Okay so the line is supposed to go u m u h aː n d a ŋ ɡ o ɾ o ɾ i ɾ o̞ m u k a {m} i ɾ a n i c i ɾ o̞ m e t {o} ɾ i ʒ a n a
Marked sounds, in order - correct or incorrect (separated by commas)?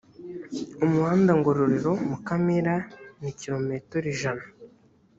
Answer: correct, correct